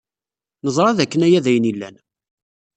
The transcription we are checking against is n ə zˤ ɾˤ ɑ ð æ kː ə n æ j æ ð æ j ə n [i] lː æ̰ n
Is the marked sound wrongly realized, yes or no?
no